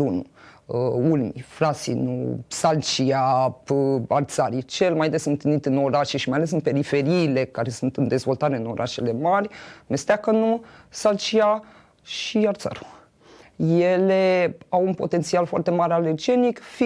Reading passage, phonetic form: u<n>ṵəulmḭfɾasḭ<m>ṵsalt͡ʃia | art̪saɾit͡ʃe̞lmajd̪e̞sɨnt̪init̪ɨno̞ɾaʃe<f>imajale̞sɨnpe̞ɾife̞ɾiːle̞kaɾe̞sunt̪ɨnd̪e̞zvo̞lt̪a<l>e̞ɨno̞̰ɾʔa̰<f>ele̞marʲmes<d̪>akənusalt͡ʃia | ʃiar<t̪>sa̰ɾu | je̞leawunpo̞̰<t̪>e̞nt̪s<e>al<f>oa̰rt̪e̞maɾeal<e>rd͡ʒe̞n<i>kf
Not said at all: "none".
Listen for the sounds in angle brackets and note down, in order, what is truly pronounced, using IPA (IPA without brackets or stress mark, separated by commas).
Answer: n, n, ʃ, ɾ, ʃ, t̪, t̪, t̪, i, f, e, i